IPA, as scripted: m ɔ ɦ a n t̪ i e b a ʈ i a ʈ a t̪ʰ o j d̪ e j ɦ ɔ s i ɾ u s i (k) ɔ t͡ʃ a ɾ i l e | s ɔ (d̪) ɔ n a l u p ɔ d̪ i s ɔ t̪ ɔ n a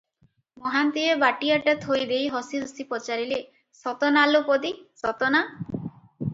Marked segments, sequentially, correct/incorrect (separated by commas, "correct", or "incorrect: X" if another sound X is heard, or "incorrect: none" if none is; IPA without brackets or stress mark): incorrect: p, incorrect: t̪